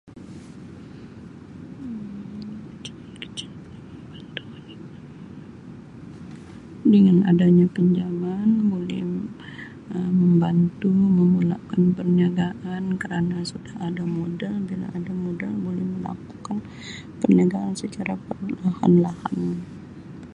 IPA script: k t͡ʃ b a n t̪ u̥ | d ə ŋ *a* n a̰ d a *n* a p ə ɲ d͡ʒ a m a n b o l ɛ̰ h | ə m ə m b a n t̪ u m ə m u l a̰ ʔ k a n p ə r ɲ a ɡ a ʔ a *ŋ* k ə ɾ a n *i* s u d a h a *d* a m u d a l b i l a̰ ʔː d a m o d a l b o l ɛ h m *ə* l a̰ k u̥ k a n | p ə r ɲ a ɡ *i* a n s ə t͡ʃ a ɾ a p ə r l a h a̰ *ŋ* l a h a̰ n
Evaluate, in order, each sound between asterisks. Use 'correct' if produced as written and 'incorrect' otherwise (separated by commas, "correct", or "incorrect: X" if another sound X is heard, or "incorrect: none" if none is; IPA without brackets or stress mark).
correct, incorrect: ɲ, incorrect: n, incorrect: a, correct, correct, incorrect: a, incorrect: n